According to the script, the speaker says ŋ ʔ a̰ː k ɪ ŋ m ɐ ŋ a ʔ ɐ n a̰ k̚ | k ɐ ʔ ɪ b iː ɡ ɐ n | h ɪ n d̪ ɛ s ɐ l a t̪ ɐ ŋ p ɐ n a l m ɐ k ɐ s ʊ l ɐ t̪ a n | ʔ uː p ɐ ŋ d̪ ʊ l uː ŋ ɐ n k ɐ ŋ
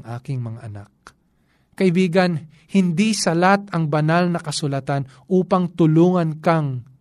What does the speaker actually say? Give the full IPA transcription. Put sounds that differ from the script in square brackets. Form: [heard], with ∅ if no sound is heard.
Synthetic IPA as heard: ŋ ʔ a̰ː k ɪ ŋ m ɐ ŋ a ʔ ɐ n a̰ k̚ | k ɐ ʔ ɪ b iː ɡ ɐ n | h ɪ n d̪ [i] s ɐ l a t̪ ɐ ŋ [b] ɐ n a l [n] ɐ k ɐ s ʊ l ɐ t̪ a n | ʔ uː p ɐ ŋ [t̪] ʊ l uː ŋ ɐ n k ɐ ŋ